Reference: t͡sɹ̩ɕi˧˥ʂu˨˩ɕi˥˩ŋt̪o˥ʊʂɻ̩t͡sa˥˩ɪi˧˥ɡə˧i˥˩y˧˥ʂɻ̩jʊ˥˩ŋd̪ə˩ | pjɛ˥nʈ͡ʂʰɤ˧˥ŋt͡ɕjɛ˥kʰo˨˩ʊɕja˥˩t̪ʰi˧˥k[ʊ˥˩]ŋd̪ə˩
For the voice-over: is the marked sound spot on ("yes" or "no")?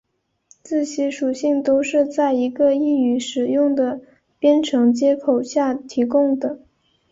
no